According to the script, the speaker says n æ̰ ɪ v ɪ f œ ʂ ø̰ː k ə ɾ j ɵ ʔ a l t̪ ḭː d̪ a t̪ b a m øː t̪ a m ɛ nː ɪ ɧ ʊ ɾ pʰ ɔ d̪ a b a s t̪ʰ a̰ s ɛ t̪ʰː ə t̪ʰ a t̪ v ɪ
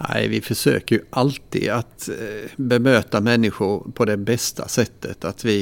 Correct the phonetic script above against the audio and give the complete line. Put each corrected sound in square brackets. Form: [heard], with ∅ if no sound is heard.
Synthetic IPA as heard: n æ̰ ɪ v ɪ f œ ʂ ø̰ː k ə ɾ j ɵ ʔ a l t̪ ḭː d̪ a t̪ b [ɛ] m øː t̪ a m ɛ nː ɪ ɧ ʊ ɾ pʰ ɔ d̪ [ɛ] b [ɛ] s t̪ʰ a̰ s ɛ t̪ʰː ə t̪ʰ a t̪ v ɪ